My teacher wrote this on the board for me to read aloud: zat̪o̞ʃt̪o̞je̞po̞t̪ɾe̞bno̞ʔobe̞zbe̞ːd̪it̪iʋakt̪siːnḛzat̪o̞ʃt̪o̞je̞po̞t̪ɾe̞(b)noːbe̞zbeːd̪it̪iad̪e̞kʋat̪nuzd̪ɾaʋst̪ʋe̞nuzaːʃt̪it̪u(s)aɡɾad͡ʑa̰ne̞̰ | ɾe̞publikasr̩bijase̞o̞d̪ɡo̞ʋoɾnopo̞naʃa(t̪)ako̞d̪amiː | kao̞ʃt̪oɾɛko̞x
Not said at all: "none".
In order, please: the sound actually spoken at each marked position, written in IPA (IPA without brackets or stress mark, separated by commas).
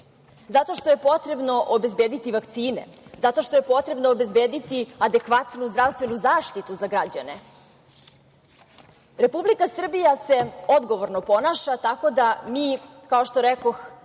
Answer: b, z, t̪